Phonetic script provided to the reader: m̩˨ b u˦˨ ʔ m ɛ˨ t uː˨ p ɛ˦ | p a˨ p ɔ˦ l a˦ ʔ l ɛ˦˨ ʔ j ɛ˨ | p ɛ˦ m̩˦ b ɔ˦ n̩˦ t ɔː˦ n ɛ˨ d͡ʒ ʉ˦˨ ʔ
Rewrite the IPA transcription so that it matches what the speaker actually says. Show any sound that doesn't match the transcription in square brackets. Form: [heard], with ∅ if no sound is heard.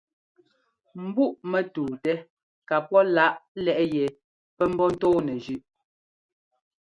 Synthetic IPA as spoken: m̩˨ b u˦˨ ʔ m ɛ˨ t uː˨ [t] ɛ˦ | [k] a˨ p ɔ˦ l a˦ ʔ l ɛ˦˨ ʔ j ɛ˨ | p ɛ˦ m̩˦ b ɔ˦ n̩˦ t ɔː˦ n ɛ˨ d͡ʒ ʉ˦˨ ʔ

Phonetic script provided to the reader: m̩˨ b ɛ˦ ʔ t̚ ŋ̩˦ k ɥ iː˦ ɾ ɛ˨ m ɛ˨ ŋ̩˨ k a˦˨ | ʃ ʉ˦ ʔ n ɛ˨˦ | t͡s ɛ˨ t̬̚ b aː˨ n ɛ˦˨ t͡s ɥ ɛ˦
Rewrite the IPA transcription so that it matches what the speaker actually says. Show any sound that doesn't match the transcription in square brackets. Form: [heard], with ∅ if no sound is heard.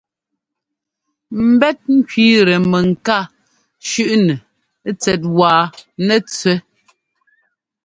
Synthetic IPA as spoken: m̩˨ b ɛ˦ [∅] t̚ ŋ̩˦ k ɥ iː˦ ɾ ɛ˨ m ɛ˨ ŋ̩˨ k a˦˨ | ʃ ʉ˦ ʔ n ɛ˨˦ | t͡s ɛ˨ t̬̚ [w] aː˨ n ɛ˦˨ t͡s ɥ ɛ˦

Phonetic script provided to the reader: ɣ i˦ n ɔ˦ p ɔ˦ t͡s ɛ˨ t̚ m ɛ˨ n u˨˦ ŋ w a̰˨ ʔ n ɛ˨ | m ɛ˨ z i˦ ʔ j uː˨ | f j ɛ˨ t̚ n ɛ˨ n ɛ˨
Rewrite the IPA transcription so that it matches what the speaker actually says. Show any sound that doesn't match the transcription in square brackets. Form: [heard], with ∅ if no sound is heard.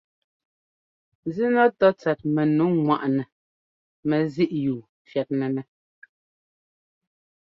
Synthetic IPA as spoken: [z] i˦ n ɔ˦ [t] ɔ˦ t͡s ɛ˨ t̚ m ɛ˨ n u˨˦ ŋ w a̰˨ ʔ n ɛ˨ | m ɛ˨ z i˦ ʔ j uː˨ | f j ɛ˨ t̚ n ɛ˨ n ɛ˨

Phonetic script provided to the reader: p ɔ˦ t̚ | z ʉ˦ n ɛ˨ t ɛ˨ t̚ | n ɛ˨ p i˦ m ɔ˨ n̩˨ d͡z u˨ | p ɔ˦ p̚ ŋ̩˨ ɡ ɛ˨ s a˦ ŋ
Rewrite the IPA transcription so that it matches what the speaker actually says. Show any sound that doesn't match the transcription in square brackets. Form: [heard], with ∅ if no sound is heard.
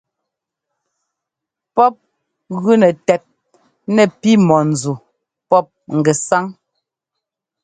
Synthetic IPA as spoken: p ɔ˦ [p̚] | [ɣ] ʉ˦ n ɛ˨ t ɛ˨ t̚ | n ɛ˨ p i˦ m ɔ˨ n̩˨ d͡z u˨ | p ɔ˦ p̚ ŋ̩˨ ɡ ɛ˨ s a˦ ŋ

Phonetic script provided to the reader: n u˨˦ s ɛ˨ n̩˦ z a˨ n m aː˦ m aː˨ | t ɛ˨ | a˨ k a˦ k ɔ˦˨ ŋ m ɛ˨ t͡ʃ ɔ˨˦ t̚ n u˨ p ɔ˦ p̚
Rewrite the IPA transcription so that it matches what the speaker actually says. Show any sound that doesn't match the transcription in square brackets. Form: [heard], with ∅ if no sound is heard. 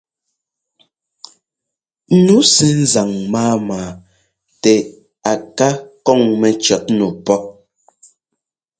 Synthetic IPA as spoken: n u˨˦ s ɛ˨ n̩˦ z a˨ [ŋ] m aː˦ m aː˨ | t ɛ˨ | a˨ k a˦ k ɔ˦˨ ŋ m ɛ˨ t͡ʃ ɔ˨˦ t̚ n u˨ p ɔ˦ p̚

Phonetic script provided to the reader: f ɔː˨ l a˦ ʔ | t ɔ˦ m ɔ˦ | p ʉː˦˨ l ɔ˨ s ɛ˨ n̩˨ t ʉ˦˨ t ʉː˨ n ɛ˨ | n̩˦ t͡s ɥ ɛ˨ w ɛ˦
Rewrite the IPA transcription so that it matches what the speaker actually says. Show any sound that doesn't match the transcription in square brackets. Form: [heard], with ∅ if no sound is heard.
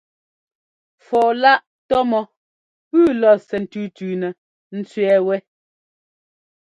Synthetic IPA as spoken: f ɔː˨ l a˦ ʔ | t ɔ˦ m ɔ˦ | p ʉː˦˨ l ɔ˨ s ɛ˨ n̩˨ t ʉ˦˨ t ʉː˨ n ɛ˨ | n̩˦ t͡s ɥ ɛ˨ w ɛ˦

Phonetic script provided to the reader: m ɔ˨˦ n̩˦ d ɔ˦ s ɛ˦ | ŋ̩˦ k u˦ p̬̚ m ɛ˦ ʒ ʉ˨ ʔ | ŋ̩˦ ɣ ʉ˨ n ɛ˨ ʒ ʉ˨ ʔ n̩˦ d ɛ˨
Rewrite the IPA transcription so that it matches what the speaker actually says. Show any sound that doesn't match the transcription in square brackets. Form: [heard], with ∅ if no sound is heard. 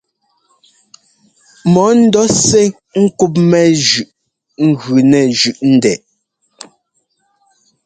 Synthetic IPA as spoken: m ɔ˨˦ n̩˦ d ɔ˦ s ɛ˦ | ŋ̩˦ k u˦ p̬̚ m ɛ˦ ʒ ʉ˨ ʔ | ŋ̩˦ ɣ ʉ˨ n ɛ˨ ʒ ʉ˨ ʔ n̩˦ d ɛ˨

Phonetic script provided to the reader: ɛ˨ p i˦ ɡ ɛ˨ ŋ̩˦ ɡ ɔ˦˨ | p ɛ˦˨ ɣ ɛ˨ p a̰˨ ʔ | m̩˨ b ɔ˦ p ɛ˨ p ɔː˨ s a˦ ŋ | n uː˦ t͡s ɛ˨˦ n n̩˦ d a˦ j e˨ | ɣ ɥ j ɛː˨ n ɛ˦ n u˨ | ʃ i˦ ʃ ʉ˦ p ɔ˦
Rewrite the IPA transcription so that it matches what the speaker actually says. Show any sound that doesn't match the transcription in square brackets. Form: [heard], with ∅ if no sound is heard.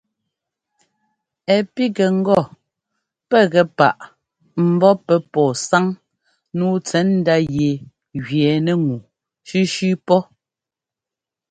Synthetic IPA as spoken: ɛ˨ p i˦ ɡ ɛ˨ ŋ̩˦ ɡ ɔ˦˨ | p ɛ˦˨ ɣ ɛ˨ p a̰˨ ʔ | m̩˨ b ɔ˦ p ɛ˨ p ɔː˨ s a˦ ŋ | n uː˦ t͡s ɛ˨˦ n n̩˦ d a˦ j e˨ | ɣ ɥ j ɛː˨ n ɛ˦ [ŋ] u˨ | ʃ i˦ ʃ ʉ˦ p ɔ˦

